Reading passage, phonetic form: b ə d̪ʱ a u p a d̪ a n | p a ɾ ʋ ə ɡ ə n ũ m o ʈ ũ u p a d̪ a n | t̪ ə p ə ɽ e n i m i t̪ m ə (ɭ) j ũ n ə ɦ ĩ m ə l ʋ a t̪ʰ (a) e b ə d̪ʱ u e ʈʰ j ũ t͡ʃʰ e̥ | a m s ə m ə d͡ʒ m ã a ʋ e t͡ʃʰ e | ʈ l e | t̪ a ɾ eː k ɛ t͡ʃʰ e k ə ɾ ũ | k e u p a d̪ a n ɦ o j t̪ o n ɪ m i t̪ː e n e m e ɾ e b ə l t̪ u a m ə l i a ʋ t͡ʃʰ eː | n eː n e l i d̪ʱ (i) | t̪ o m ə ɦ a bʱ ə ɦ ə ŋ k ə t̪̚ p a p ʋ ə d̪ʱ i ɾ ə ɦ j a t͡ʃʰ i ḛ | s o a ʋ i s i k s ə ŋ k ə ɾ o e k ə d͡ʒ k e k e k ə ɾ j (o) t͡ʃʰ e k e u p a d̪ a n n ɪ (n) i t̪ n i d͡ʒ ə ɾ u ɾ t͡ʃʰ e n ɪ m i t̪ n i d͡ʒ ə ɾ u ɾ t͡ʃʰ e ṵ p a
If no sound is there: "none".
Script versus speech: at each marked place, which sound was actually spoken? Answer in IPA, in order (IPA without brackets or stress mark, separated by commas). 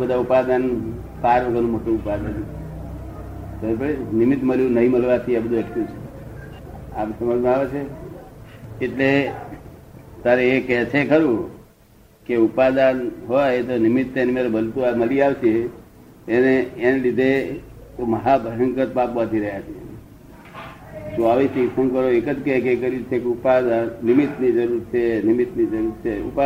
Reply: l, i, e, u, m